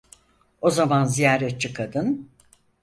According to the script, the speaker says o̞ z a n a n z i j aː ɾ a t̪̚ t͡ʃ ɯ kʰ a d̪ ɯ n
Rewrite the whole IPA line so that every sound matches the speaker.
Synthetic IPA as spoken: o̞ z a m a n z i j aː ɾ ɛ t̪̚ t͡ʃ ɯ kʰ a d̪ ɯ n